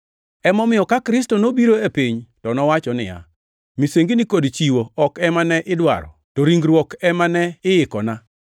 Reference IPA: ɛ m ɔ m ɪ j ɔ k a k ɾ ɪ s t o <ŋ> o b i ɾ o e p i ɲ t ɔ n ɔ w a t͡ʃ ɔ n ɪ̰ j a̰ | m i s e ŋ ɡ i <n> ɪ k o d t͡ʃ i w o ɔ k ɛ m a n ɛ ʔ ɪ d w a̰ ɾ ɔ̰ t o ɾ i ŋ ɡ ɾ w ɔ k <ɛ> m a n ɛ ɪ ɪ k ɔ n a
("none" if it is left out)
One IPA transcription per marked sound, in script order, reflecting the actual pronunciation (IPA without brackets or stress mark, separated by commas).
n, n, ɛ